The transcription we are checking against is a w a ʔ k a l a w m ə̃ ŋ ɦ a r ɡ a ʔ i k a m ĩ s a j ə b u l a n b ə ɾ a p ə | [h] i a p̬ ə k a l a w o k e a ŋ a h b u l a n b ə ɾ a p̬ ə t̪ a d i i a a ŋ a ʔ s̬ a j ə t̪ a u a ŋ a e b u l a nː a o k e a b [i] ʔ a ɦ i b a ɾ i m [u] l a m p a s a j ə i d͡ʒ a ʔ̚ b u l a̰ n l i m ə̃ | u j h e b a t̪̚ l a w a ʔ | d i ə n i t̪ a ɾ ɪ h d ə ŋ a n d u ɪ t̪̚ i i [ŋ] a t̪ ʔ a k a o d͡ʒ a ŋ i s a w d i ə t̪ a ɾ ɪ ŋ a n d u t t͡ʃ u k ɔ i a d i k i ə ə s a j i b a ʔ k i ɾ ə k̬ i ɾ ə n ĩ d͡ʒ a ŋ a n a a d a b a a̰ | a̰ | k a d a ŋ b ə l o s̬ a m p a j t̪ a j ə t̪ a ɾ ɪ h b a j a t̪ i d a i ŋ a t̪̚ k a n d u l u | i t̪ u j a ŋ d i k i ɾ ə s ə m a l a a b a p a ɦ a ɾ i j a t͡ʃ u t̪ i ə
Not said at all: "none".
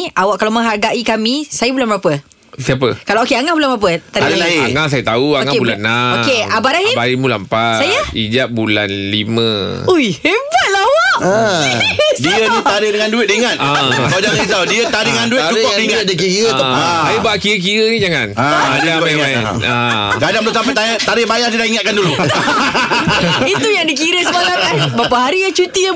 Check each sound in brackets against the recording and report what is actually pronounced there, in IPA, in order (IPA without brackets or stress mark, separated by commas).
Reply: s, a, u, ŋ